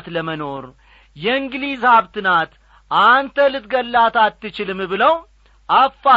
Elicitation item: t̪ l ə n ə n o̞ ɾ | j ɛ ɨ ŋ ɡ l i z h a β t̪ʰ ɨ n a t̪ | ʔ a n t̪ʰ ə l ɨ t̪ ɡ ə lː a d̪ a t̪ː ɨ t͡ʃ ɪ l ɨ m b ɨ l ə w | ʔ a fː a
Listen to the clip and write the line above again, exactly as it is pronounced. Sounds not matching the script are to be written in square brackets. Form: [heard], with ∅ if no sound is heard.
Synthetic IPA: t̪ l ə [m] ə n o̞ ɾ | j ɛ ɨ ŋ ɡ l i z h a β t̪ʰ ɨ n a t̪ | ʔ a n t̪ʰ ə l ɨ t̪ ɡ ə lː a [t̪] a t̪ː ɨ t͡ʃ ɪ l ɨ m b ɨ l ə w | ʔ a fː a